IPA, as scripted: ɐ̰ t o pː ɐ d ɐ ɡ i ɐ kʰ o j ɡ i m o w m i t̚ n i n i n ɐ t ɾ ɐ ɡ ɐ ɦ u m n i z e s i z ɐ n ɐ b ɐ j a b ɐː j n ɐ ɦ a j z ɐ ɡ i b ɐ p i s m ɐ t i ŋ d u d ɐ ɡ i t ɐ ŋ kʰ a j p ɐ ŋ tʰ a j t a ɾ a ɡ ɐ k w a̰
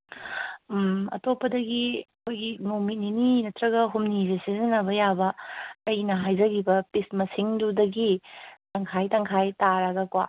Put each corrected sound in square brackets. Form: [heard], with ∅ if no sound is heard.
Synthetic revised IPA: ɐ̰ t o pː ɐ d ɐ ɡ i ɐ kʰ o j ɡ i m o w m i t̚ n i n i n ɐ t ɾ ɐ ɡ ɐ ɦ u m n i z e s i z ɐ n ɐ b ɐ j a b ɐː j n ɐ ɦ a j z ɐ ɡ i b ɐ p i s m ɐ [s] i ŋ d u d ɐ ɡ i t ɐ ŋ kʰ a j [t] ɐ ŋ [kʰ] a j t a ɾ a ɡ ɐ k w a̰

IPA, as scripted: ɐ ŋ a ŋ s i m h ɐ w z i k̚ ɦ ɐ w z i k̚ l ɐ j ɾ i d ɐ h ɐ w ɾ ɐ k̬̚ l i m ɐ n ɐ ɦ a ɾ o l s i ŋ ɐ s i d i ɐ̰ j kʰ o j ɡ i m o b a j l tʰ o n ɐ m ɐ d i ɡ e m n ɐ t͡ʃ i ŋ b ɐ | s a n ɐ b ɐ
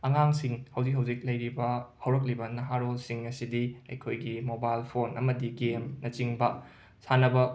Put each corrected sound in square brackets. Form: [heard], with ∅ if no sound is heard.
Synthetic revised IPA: ɐ ŋ a ŋ s i [ŋ] h ɐ w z i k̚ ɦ ɐ w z i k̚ l ɐ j ɾ i [b] ɐ h ɐ w ɾ ɐ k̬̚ l i [b] ɐ n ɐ ɦ a ɾ o l s i ŋ ɐ s i d i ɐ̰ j kʰ o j ɡ i m o b a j l [pʰ] o n ɐ m ɐ d i ɡ e m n ɐ t͡ʃ i ŋ b ɐ | s a n ɐ b ɐ

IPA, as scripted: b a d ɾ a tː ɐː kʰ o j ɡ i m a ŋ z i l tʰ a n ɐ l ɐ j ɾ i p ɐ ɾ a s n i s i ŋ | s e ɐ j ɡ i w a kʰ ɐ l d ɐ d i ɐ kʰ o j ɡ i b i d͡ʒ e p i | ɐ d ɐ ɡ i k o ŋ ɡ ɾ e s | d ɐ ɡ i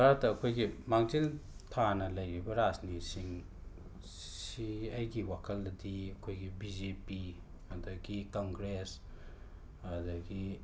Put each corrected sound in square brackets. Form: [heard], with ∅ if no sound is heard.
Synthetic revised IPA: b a [∅] ɾ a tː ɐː kʰ o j ɡ i m a ŋ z i l tʰ a n ɐ l ɐ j ɾ i [b] ɐ ɾ a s n i s i ŋ | s [i] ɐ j ɡ i w a kʰ ɐ l d ɐ d i ɐ kʰ o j ɡ i b i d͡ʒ e p i | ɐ d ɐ ɡ i k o ŋ ɡ ɾ e s | d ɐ ɡ i

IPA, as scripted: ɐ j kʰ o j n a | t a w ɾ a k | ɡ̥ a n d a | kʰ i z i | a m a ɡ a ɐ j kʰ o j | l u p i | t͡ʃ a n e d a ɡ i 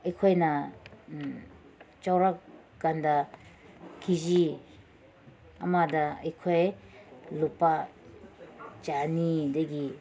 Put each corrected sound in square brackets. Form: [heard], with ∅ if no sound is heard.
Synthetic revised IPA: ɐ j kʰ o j n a | [t͡ʃ] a w ɾ a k | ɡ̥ a n d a | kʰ i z i | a m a [d] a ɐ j kʰ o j | l u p [a] | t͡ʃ a n [i] d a ɡ i

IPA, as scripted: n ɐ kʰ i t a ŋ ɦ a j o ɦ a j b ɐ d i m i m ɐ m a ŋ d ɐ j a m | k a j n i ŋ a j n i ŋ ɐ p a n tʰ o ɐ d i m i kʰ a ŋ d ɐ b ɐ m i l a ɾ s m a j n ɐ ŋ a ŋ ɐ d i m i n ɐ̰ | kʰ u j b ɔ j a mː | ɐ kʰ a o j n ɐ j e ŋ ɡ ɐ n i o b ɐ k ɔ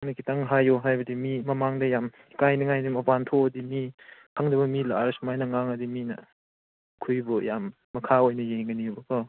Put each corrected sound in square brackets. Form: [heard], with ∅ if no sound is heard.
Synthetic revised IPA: n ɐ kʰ i t a ŋ ɦ a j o ɦ a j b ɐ d i m i m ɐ m a ŋ d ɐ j a m | k a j n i ŋ a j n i [m] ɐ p a n tʰ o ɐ d i m i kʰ a ŋ d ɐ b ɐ m i l a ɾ s m a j n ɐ ŋ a ŋ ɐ d i m i n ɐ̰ | kʰ u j b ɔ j a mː | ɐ kʰ a o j n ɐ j e ŋ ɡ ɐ n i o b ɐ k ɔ

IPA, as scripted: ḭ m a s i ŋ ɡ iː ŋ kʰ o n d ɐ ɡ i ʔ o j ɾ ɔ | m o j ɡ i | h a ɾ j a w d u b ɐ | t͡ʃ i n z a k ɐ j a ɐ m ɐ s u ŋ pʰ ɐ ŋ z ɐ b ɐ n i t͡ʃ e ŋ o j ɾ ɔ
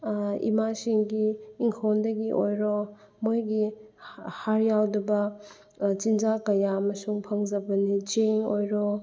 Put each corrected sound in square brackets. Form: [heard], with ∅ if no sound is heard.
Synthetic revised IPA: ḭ m a s i ŋ ɡ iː ŋ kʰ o n d ɐ ɡ i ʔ o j ɾ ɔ | m o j ɡ i | h a ɾ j a w d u b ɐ | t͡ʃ i n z a k ɐ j a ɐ m ɐ s u ŋ pʰ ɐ ŋ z ɐ b ɐ n i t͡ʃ e ŋ o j ɾ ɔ

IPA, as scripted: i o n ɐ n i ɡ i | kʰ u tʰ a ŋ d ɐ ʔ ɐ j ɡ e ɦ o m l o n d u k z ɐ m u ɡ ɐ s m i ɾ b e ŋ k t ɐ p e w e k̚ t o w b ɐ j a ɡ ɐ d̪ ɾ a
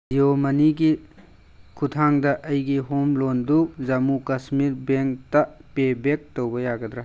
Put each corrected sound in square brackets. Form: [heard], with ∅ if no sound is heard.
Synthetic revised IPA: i o [m] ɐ n i ɡ i | kʰ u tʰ a ŋ d ɐ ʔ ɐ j ɡ [i] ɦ o m l o n d u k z ɐ m u [k] ɐ s m i ɾ b e ŋ k t ɐ p e [b] e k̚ t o w b ɐ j a ɡ ɐ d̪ ɾ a

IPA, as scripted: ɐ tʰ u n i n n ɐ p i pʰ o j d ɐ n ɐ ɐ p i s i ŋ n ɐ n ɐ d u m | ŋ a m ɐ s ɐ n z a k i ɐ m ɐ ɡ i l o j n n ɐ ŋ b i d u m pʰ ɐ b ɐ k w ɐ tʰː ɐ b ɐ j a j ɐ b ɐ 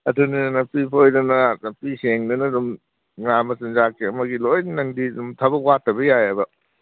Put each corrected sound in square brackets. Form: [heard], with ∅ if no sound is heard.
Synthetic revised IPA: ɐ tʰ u n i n n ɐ p i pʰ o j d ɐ n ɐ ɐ p i s [e] ŋ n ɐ n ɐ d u m | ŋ a m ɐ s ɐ n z a k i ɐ m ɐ ɡ i l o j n n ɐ ŋ [d] i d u m [tʰ] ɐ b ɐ k w [a] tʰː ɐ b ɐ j a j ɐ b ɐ

